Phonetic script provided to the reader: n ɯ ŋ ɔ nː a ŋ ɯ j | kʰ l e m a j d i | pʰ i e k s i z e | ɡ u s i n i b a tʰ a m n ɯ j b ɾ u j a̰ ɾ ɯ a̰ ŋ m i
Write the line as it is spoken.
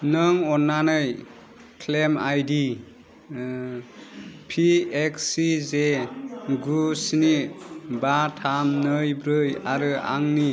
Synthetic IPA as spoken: n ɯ ŋ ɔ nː a n ɯ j | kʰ l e m a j d i | pʰ i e k s i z e | ɡ u s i n i b a tʰ a m n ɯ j b ɾ ɯ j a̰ ɾ ɯ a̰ ŋ n i